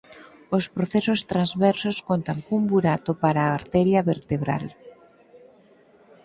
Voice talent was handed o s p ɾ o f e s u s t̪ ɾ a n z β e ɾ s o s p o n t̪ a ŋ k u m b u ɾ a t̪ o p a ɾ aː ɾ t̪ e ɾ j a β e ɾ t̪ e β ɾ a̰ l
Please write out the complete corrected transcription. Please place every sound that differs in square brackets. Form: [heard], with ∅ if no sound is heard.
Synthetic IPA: o s p ɾ o [θ] e s [o] s t̪ ɾ a n z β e ɾ s o s [k] o n t̪ a ŋ k u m b u ɾ a t̪ o p a ɾ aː ɾ t̪ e ɾ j a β e ɾ t̪ e β ɾ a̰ l